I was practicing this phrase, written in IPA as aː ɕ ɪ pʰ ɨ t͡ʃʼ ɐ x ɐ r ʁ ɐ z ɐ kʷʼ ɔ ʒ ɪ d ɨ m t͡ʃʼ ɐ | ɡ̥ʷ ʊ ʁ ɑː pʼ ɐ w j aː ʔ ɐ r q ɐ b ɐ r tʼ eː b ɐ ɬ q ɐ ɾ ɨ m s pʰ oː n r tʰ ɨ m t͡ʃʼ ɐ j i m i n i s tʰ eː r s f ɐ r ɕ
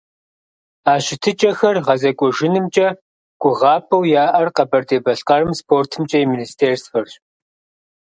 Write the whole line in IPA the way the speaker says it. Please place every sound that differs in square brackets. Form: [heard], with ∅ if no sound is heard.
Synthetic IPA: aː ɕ ɪ [tʰ] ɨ t͡ʃʼ ɐ x ɐ r ʁ ɐ z ɐ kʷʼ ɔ ʒ ɪ [n] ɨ m t͡ʃʼ ɐ | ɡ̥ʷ ʊ ʁ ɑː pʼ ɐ w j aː ʔ ɐ r q ɐ b ɐ r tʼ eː b ɐ ɬ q ɐ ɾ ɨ m s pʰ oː [∅] r tʰ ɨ m t͡ʃʼ ɐ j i m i n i s tʰ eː r s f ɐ r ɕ